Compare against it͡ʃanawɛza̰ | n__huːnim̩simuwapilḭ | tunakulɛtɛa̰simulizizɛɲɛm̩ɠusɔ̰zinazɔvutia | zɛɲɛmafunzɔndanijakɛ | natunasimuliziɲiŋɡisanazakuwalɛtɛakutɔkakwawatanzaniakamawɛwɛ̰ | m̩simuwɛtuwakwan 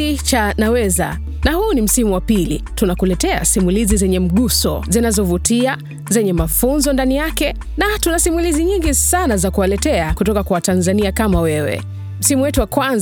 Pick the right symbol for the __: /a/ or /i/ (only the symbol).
a